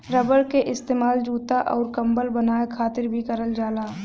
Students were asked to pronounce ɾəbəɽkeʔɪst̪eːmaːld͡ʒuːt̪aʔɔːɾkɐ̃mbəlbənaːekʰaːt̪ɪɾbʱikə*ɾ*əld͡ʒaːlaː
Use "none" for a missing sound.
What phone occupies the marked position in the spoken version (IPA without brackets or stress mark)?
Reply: ɾ